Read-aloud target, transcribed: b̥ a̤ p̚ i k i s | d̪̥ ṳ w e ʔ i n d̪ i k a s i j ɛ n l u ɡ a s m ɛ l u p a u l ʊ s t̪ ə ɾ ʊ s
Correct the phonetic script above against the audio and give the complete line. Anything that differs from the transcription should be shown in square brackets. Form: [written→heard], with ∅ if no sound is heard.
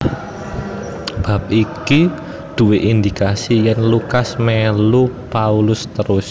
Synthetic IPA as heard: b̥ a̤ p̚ i k i [s→∅] | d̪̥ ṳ w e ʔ i n d̪ i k a s i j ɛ n l u [ɡ→k] a s m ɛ l u p a u l ʊ s t̪ ə ɾ ʊ s